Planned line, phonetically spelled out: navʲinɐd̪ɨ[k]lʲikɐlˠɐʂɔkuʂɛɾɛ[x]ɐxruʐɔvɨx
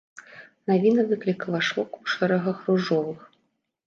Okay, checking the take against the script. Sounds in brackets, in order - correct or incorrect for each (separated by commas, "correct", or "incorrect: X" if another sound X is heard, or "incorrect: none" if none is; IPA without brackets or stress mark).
correct, incorrect: ɣ